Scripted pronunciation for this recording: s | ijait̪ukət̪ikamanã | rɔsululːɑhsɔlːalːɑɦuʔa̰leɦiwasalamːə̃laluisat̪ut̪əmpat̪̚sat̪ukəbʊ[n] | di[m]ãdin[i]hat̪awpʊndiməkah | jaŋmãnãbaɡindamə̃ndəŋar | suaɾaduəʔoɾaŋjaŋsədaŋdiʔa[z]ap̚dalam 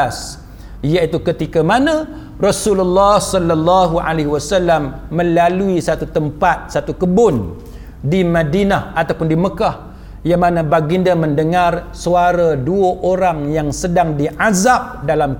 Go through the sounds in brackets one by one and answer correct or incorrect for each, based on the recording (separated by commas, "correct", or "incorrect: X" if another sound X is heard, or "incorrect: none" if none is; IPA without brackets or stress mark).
correct, correct, incorrect: a, correct